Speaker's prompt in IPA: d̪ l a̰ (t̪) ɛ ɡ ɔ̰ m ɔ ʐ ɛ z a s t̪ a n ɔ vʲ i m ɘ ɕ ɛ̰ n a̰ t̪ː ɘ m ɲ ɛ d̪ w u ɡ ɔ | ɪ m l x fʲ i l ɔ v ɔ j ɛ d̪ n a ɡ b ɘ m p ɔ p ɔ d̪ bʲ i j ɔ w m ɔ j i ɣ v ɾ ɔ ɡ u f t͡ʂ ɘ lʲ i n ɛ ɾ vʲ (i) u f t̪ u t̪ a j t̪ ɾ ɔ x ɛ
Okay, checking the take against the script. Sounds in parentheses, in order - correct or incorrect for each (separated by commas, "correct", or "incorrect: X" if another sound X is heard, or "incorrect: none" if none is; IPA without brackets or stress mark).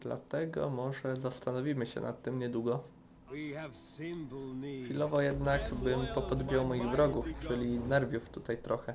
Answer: correct, incorrect: j